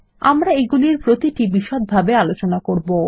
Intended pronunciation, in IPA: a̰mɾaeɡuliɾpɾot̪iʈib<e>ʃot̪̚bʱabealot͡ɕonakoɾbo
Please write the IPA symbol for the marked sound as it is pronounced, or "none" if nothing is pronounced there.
i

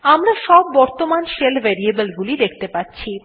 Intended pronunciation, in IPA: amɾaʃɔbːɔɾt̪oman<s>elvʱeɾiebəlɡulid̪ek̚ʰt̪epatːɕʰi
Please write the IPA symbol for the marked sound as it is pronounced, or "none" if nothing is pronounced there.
ʃ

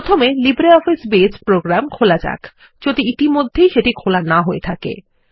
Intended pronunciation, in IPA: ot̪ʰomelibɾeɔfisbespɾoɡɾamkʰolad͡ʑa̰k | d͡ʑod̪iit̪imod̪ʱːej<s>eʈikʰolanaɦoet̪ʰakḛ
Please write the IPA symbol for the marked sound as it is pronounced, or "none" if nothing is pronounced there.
ʃ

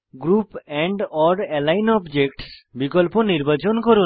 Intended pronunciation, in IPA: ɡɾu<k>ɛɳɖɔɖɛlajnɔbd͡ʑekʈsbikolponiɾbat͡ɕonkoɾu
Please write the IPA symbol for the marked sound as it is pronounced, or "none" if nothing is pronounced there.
p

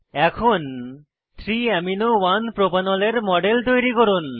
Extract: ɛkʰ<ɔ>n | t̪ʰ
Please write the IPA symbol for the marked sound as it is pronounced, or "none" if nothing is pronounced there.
o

